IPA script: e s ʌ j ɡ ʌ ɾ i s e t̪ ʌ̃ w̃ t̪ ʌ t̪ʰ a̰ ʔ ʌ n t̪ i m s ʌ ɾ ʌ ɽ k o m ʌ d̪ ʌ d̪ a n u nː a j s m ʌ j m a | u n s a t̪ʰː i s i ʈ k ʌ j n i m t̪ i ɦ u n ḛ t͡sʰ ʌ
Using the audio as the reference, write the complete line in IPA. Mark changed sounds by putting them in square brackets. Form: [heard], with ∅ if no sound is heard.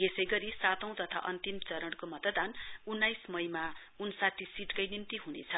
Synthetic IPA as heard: e s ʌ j ɡ ʌ ɾ i s [a] t̪ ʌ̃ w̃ t̪ ʌ t̪ʰ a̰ ʔ ʌ n t̪ i m [t͡s] ʌ ɾ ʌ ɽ k o m ʌ [t̪] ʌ d̪ a n u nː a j s m ʌ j m a | u n s a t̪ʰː i s i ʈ k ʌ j n i m t̪ i ɦ u n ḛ t͡sʰ ʌ